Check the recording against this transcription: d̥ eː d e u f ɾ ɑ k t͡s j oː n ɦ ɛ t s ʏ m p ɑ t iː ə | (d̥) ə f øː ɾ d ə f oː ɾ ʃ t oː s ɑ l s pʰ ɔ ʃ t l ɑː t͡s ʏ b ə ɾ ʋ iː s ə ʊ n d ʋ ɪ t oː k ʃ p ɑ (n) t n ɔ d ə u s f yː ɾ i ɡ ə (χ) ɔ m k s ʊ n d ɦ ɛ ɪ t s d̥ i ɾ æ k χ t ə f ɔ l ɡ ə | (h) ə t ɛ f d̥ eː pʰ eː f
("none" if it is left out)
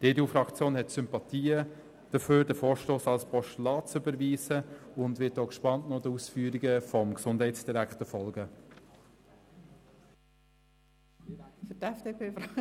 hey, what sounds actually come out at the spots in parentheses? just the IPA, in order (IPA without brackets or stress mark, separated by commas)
d̥, n, f, f